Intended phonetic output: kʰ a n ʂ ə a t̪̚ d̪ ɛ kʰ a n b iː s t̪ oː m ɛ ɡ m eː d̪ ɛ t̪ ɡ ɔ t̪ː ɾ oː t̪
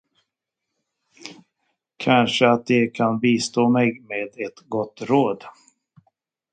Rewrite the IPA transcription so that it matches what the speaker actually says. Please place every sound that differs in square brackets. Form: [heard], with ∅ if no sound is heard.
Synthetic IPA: kʰ a n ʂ ə a t̪̚ d̪ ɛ kʰ a n b iː s t̪ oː m ɛ ɡ m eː d̪ ɛ t̪ ɡ ɔ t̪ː ɾ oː [d̪]